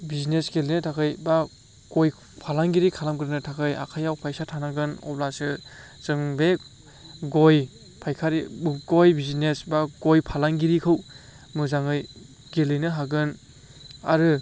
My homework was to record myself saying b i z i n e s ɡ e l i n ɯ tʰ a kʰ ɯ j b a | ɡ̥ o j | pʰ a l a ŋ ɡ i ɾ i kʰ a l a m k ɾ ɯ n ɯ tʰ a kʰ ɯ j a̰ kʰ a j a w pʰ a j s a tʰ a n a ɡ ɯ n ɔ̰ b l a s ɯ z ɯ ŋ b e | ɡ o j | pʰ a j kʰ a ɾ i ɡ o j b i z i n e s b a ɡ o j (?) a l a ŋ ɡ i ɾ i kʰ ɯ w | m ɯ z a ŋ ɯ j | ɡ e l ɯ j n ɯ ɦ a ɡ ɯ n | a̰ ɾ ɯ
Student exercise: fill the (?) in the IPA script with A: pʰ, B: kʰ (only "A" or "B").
A